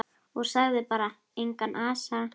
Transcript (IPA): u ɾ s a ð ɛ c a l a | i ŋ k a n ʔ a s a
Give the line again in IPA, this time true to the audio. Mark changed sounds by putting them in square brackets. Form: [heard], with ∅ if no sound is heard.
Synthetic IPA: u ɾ s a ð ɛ [p] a [ɾ] a | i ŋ k a n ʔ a s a

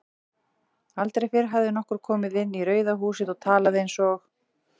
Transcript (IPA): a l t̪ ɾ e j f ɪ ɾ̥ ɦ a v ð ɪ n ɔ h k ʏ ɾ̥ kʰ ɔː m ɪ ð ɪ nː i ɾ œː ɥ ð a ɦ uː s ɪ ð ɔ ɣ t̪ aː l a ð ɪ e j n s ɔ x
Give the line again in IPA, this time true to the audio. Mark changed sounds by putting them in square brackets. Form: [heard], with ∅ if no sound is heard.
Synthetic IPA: a l t̪ ɾ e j f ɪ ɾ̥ ɦ a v ð ɪ n ɔ h k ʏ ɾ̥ kʰ ɔː m ɪ ð ɪ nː i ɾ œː ɥ ð a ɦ uː s ɪ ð ɔ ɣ [t̪ʰ] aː l a ð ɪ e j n s ɔ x

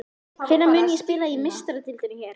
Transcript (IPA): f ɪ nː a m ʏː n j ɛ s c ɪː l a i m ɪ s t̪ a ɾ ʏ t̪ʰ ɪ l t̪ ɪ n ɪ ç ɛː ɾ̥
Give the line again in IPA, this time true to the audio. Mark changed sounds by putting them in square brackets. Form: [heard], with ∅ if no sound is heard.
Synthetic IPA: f ɪ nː a m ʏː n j ɛ s [p] ɪː l a i m ɪ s t̪ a ɾ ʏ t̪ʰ ɪ l t̪ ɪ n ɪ ç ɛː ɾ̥

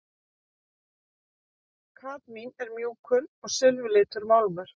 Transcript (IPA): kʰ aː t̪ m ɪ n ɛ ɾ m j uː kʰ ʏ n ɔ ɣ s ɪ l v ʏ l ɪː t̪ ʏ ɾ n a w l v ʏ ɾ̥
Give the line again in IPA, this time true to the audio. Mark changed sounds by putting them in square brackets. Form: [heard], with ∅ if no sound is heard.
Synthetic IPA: kʰ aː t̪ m [i] n ɛ ɾ m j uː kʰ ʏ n ɔ ɣ s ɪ l v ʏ l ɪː t̪ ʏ ɾ [m] a w l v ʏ ɾ̥

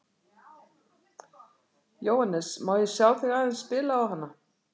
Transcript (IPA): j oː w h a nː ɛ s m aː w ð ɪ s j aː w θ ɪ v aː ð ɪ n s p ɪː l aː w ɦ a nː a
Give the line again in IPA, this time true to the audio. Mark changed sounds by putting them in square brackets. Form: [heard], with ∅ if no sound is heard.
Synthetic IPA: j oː w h a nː ɛ s m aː w ð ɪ s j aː w θ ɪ [ɣ] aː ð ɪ n s p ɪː l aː w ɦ a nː a

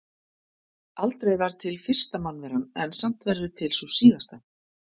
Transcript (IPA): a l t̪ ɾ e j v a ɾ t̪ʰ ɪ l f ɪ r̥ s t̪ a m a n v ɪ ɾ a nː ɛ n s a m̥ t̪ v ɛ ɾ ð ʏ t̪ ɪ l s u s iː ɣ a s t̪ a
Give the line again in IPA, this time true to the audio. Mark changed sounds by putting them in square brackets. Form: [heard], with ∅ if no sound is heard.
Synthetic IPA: a l t̪ ɾ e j v a ɾ t̪ʰ ɪ l f ɪ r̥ s t̪ a m a n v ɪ ɾ a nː ɛ n s a m̥ t̪ v ɛ ɾ ð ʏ [t̪ʰ] ɪ l s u s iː ɣ a s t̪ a

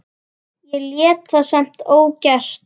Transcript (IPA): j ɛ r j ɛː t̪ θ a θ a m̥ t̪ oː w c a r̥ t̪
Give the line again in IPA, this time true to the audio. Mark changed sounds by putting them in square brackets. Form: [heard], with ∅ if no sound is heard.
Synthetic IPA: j ɛ [l] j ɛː t̪ θ a [s] a m̥ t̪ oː w c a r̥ t̪

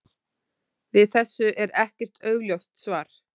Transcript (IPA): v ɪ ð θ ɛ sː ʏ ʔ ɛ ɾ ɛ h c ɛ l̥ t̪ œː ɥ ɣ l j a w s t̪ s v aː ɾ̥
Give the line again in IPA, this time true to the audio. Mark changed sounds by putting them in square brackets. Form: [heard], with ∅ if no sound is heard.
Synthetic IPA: v ɪ ð θ ɛ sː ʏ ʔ ɛ ɾ ɛ h c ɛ [r̥] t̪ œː ɥ ɣ l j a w s t̪ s v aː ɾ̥

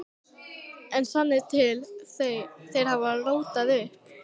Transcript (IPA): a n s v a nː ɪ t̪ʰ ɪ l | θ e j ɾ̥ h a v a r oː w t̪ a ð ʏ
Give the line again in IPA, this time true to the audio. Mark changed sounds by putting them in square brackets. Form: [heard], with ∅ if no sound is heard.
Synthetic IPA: [ɛ] n s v a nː ɪ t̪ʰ ɪ l | θ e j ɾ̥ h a v a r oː w t̪ a ð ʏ

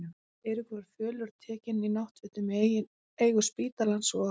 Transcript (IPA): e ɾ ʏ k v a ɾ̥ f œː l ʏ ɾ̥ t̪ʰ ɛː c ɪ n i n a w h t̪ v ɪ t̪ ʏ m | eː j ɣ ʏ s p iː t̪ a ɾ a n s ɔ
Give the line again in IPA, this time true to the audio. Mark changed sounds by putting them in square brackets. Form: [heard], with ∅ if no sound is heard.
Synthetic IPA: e ɾ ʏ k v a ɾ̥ f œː l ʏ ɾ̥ t̪ʰ ɛː c ɪ n i n a w h t̪ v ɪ t̪ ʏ m | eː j ɣ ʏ s p iː t̪ a [l] a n s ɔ

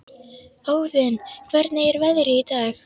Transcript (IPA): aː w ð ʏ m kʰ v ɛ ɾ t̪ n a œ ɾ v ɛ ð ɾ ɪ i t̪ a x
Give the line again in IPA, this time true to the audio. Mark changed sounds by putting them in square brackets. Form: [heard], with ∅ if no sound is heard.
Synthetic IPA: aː w ð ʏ [n] kʰ v ɛ ɾ t̪ n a [ɛ] ɾ v ɛ ð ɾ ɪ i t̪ a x

